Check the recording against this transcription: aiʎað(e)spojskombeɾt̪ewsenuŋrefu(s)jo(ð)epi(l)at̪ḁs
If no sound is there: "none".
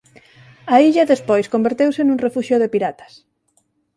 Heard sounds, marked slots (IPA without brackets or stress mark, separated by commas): e, ʃ, ð, ɾ